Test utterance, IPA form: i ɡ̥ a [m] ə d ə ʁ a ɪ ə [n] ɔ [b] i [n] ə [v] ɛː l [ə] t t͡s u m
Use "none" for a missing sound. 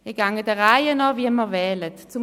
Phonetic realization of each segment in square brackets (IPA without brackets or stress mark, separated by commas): ŋ, n, v, m, v, ə